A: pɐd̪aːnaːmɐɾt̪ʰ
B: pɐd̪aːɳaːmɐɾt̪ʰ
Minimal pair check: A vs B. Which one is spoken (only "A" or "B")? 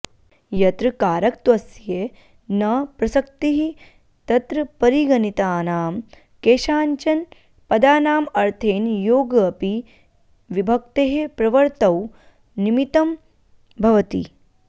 A